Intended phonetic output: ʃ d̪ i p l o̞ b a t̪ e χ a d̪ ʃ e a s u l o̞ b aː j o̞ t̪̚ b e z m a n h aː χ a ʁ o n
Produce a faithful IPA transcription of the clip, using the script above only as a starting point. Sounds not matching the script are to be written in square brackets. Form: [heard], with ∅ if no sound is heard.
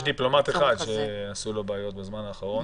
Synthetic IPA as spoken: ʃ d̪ i p l o̞ [m] a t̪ e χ a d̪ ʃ e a s u l o̞ b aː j o̞ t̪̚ b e z m a n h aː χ a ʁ o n